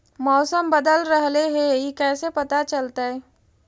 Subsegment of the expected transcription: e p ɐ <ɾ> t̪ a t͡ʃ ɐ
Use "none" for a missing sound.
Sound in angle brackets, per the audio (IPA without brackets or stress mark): none